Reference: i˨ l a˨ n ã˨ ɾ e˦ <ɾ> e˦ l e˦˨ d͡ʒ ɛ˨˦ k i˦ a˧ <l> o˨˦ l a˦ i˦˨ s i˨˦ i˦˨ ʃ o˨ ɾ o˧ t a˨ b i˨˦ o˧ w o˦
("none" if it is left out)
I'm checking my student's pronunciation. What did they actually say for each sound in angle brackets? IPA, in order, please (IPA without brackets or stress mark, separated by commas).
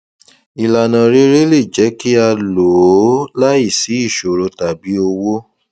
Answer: ɾ, l